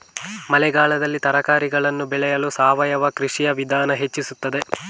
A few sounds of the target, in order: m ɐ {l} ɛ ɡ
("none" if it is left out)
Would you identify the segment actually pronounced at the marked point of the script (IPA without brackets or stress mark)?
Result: l